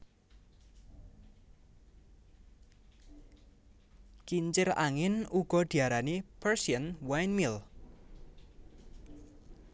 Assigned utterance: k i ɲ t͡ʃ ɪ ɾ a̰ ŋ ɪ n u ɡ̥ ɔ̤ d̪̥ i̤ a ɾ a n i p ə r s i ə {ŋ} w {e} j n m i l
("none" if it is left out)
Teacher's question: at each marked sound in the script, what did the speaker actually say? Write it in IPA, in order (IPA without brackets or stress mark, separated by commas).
n, a